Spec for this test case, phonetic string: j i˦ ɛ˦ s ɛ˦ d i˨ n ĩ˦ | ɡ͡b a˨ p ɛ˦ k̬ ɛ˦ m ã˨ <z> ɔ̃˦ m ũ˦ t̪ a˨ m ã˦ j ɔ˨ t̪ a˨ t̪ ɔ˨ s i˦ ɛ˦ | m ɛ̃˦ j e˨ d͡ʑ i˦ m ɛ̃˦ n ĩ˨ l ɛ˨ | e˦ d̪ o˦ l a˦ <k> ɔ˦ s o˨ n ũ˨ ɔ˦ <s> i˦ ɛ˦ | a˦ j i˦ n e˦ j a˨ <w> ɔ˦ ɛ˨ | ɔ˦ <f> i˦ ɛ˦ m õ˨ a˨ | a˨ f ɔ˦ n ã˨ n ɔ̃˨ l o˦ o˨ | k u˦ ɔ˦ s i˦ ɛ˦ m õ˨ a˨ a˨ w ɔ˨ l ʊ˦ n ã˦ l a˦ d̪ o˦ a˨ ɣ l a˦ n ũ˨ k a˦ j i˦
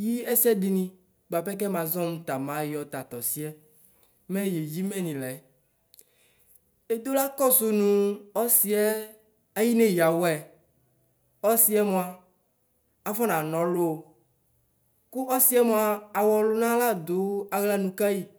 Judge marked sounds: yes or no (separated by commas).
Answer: yes, yes, yes, yes, no